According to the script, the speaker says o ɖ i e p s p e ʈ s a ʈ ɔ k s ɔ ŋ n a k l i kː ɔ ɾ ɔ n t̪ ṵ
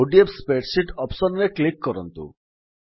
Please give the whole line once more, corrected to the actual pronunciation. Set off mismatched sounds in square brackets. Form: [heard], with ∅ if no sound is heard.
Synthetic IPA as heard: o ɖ i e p s p e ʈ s [i] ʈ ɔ [p] s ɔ [n] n [e] k l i kː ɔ ɾ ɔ n t̪ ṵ

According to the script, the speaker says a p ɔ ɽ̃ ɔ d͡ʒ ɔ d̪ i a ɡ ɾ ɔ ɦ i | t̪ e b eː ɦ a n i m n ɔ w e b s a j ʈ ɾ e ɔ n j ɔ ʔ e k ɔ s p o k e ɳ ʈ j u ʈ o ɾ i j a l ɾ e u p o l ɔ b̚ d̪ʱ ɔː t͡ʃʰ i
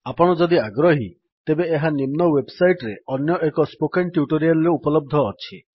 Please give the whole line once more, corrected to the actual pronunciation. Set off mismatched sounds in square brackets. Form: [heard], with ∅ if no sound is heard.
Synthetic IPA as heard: a p ɔ ɽ̃ ɔ d͡ʒ ɔ d̪ i a ɡ ɾ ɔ ɦ i | t̪ e b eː ɦ a n i m n ɔ w e b s a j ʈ ɾ e ɔ n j ɔ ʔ e k ɔ s p o k e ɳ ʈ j u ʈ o ɾ i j a l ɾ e u p [ɔ] l ɔ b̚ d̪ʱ ɔː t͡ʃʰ i

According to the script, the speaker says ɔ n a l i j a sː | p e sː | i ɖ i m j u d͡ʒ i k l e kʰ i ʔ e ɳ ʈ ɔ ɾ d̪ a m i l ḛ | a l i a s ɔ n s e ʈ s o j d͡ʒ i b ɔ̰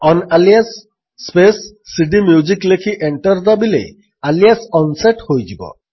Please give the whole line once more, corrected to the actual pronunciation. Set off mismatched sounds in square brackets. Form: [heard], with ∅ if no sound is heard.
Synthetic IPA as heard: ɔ n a l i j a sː | p e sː | i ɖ i m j u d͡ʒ i k l e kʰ i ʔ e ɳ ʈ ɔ ɾ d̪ a [b] i l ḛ | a l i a s ɔ n s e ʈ [h] o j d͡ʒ i b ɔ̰

